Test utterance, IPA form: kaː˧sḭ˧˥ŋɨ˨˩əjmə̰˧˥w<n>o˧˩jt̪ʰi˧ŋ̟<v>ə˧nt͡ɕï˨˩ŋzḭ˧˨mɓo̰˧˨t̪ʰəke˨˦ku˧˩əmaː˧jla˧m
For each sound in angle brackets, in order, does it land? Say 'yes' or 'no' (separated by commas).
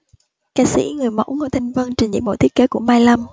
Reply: no, yes